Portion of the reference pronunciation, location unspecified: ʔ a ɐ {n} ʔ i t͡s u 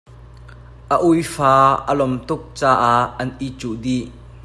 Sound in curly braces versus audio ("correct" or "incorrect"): correct